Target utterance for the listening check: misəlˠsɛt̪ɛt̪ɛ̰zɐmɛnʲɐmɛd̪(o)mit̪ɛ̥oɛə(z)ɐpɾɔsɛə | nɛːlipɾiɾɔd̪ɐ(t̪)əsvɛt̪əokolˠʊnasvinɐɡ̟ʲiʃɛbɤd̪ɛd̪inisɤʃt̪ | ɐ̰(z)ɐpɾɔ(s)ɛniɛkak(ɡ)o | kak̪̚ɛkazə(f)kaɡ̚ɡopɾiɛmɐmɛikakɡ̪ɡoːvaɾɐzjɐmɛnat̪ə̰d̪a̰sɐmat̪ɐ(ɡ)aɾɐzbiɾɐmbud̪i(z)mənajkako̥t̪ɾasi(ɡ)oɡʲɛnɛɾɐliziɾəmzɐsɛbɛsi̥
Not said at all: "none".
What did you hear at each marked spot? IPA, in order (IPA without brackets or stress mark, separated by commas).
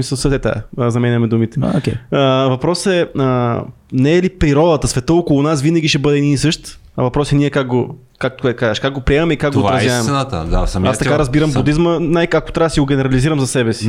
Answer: u, v, t̪, v, s, ɡ, ʃ, k, z, ɡ